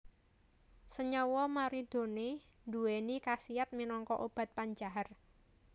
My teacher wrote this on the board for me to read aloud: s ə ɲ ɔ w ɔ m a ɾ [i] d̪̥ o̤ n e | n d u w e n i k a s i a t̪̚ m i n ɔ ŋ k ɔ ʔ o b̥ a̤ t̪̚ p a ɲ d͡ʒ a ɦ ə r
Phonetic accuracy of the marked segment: correct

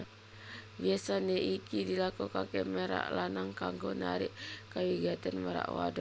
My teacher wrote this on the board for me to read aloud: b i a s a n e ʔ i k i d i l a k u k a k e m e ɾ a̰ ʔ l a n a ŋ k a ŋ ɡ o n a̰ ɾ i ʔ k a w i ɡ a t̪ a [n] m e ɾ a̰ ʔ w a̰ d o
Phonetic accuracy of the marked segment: correct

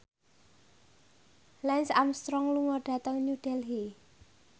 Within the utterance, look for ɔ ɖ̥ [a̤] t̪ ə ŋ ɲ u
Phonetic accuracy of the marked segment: correct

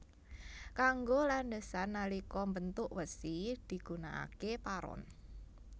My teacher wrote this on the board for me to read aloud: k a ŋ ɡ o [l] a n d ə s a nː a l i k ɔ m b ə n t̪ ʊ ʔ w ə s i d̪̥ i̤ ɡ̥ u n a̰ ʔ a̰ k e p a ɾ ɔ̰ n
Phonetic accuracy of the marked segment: correct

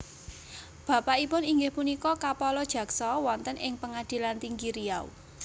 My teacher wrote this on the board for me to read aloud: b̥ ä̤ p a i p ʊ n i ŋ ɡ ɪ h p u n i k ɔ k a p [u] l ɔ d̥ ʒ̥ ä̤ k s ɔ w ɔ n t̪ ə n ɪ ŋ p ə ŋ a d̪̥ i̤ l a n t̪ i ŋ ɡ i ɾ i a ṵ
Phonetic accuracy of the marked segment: incorrect: ɔ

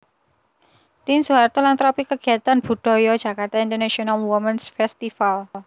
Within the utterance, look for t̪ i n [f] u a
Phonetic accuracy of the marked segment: incorrect: s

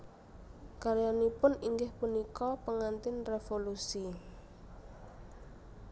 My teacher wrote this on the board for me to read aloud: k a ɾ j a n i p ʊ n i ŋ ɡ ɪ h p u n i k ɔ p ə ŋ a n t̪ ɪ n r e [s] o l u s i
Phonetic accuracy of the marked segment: incorrect: f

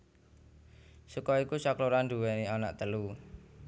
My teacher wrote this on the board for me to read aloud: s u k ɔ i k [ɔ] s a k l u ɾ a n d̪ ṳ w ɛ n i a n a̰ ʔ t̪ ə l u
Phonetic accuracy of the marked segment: incorrect: u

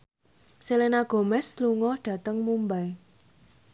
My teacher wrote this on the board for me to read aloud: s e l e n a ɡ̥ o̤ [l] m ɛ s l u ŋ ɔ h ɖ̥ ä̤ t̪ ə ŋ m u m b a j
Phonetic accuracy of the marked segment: incorrect: none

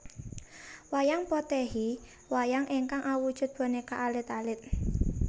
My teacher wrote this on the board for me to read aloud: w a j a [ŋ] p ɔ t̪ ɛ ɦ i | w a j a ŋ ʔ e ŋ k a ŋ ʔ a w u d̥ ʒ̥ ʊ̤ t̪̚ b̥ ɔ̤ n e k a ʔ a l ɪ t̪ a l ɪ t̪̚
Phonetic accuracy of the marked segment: correct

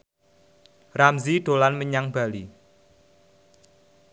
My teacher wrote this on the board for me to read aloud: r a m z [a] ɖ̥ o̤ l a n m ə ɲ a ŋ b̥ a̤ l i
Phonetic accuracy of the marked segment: incorrect: i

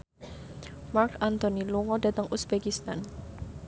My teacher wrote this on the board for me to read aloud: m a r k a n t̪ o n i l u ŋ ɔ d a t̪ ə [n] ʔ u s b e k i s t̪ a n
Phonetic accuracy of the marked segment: incorrect: ŋ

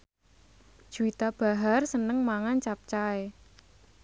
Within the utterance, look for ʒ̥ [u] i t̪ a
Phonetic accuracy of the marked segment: correct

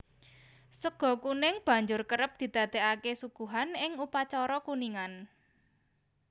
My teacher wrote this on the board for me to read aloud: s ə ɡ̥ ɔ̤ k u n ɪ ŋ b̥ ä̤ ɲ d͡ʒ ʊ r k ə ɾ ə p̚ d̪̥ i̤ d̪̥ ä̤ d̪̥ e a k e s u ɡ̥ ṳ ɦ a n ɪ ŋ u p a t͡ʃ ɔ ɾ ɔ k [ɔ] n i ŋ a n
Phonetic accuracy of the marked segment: incorrect: u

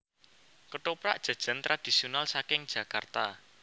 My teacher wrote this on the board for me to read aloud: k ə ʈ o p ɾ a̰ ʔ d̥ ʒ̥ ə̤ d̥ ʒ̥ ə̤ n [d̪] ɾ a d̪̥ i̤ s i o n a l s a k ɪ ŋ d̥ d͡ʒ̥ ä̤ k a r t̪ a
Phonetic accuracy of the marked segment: incorrect: t̪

